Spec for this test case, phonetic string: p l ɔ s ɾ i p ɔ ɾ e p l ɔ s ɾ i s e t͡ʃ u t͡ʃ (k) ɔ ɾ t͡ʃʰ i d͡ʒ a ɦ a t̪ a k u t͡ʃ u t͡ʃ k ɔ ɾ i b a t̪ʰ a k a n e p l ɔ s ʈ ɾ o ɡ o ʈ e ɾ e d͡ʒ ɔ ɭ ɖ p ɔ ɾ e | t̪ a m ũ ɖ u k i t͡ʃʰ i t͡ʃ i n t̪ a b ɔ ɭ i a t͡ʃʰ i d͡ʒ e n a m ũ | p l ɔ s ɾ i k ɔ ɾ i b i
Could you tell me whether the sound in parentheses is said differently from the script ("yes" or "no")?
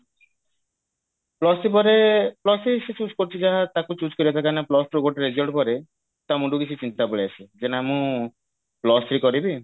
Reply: no